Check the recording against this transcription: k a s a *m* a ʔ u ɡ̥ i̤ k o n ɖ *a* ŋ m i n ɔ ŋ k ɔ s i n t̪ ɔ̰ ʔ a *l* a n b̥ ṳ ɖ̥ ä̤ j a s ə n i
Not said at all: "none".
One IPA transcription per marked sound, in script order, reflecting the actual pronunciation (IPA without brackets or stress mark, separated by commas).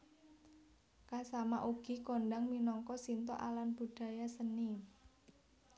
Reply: m, a, l